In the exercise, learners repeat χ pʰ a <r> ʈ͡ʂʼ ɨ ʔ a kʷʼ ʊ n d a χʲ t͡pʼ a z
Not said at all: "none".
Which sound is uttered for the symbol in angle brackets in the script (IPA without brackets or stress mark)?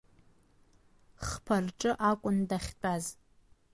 r